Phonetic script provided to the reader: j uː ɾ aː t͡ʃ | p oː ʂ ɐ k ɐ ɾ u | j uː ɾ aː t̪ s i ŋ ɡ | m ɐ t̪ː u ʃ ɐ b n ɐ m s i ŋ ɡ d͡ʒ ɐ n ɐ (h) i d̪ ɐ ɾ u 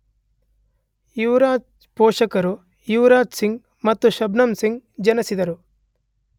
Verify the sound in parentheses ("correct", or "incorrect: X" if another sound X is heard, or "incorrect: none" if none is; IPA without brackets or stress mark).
incorrect: s